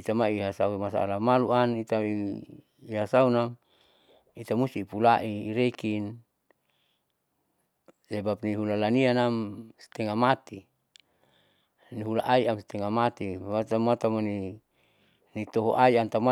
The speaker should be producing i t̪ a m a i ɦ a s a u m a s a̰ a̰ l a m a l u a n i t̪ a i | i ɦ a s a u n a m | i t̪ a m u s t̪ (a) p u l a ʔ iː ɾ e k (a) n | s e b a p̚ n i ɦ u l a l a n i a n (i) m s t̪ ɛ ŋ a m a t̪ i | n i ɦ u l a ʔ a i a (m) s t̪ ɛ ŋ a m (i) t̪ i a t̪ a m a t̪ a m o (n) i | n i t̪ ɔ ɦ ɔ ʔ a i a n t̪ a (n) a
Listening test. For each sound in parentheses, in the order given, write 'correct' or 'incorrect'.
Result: incorrect: i, incorrect: i, incorrect: a, correct, incorrect: a, correct, incorrect: m

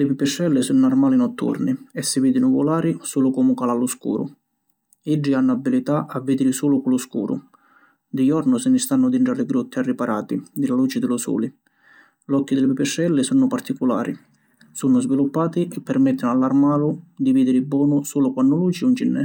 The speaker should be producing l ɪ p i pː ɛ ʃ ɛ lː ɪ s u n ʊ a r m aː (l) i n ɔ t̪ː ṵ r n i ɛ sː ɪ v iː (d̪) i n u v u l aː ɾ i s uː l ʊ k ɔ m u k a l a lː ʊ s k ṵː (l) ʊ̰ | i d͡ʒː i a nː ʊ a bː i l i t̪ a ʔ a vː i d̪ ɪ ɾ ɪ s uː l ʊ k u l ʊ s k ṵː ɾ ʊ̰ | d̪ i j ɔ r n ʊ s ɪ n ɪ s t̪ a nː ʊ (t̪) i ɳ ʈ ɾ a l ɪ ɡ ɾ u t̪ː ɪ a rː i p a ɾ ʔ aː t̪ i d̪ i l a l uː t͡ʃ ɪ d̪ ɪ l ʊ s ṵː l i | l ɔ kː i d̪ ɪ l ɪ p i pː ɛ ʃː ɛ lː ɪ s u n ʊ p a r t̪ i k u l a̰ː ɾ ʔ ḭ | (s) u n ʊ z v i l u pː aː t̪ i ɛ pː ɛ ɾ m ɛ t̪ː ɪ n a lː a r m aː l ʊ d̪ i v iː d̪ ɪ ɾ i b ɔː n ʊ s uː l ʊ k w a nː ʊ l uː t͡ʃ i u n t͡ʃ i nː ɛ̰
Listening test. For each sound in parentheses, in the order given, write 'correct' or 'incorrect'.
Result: correct, correct, incorrect: ɾ, incorrect: d̪, correct

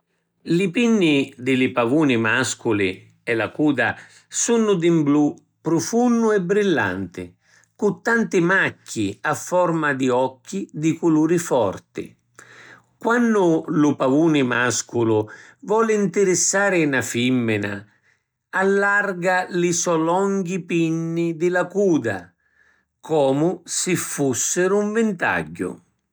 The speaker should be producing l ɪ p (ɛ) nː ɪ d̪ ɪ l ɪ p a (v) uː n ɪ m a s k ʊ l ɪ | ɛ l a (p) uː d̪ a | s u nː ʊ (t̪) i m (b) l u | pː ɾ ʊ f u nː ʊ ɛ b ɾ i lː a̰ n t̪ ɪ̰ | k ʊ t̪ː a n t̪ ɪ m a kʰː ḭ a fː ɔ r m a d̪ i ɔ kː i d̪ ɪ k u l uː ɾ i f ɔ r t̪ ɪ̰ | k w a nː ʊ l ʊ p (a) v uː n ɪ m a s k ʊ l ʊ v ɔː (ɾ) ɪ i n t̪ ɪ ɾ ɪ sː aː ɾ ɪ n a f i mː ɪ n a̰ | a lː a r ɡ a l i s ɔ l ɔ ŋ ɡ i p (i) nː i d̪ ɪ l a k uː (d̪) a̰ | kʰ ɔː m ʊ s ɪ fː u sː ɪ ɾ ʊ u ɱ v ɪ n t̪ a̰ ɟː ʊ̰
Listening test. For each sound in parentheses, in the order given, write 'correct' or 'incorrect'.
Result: incorrect: i, correct, incorrect: k, incorrect: d̪, correct, correct, incorrect: l, correct, correct

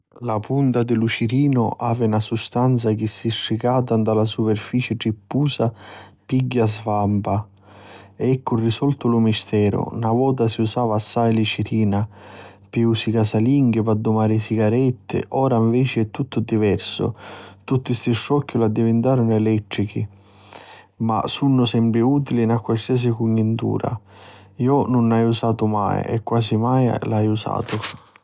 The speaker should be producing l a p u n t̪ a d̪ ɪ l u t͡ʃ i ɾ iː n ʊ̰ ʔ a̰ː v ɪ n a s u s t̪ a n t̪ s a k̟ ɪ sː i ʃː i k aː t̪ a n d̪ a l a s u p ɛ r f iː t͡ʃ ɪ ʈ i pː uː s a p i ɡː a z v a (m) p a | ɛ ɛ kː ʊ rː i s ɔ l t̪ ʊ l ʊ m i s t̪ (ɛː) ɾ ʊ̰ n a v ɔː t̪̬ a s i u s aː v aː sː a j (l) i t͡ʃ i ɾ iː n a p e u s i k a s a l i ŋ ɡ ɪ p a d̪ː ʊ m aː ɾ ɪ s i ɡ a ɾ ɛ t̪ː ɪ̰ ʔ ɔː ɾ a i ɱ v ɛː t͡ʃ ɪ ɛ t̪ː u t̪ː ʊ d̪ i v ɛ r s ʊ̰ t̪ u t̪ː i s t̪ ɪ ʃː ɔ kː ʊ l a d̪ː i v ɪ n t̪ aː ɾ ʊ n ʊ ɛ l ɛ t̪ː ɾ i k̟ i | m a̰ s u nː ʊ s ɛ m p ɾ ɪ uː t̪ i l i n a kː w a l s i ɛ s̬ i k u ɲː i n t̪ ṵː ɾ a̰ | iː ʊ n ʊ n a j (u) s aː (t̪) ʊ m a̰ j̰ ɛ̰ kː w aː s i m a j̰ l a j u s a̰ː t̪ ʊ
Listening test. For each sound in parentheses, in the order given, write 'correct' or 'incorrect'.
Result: correct, correct, correct, correct, correct

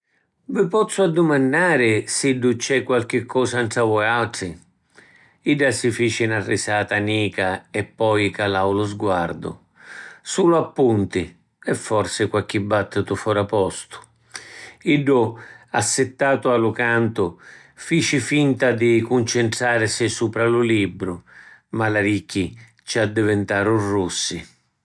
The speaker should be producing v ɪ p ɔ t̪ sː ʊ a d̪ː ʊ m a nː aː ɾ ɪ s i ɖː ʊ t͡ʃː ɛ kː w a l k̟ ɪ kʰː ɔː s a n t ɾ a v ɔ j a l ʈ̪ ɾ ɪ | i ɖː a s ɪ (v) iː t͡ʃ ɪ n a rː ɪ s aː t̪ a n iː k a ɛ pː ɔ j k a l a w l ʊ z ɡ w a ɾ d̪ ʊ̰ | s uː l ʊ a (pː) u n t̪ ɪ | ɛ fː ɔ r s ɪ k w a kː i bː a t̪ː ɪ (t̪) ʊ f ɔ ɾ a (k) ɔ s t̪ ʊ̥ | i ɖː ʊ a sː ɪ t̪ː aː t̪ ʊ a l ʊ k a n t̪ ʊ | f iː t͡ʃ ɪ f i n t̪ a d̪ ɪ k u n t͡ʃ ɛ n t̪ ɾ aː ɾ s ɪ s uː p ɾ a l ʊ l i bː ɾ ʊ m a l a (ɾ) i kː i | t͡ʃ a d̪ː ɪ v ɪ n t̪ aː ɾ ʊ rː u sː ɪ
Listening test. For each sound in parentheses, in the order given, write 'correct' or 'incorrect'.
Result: incorrect: f, correct, correct, incorrect: p, correct

